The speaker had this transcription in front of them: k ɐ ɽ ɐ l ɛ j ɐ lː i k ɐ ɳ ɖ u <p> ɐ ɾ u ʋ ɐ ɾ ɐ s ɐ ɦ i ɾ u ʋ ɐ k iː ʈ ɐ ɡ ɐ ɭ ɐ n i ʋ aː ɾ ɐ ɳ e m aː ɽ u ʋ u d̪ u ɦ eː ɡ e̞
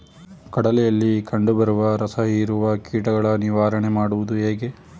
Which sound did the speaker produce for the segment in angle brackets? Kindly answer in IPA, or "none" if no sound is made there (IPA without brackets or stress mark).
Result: b